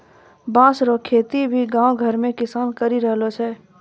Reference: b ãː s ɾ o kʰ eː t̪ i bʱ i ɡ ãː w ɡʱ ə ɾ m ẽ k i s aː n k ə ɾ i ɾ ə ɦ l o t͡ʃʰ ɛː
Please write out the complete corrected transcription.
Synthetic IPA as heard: b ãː s ɾ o kʰ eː t̪ i bʱ i ɡ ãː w ɡʱ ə ɾ m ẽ k ɪ s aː n k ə ɾ i ɾ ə ɦ l o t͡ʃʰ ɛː